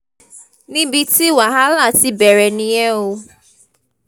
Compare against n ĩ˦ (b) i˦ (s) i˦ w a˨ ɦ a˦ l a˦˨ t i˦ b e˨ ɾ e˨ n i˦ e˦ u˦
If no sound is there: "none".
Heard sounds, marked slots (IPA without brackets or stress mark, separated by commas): b, t